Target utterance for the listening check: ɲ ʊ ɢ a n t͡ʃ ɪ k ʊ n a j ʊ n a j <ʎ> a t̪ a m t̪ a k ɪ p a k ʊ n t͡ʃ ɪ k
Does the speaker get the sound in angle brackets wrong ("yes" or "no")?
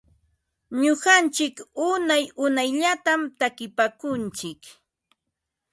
no